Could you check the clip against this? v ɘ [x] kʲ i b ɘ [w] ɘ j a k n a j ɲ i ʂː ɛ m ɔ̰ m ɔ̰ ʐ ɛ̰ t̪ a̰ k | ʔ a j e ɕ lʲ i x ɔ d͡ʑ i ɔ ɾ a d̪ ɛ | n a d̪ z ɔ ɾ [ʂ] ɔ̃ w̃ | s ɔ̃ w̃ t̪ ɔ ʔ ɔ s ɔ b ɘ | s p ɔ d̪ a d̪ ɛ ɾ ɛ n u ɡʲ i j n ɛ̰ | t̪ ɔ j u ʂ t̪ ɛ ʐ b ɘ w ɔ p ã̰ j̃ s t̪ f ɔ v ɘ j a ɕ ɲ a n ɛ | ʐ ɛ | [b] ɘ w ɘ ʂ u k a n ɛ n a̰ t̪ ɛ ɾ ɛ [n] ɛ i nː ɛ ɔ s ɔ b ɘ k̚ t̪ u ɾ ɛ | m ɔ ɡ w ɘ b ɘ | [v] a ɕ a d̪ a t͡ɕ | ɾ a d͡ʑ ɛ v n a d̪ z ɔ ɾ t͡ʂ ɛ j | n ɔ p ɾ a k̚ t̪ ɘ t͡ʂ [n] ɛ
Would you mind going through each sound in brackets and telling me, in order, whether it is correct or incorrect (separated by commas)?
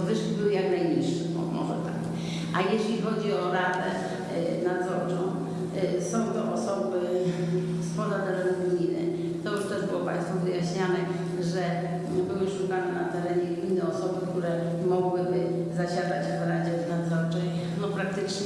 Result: incorrect, correct, incorrect, correct, incorrect, incorrect, incorrect